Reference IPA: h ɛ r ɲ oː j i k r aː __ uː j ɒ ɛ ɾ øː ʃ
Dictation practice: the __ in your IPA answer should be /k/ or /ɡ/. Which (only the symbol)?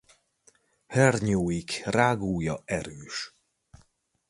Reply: ɡ